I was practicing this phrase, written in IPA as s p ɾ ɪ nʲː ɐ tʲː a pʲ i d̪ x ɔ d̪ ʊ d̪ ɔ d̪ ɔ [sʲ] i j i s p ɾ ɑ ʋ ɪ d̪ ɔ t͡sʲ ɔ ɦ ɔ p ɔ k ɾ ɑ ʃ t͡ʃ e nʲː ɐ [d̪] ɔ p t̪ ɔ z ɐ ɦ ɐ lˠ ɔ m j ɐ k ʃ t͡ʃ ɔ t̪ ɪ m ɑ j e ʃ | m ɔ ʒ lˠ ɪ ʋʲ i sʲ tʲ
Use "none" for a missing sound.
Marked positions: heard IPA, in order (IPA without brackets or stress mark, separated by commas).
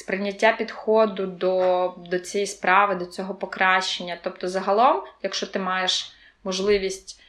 t͡sʲ, t̪